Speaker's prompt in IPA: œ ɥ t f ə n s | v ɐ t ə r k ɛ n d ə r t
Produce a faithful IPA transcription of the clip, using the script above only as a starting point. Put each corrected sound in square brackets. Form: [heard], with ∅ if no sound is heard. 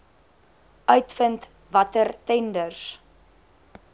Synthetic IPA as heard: œ ɥ t f ə n [t] | v ɐ t ə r [t] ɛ n d ə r [s]